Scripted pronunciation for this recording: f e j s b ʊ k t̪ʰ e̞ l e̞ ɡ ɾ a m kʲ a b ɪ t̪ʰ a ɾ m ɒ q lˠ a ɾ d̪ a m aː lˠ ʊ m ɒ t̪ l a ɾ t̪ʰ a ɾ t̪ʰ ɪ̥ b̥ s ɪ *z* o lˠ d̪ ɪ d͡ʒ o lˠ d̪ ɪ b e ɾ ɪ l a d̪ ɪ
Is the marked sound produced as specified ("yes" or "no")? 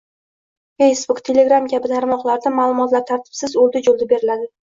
yes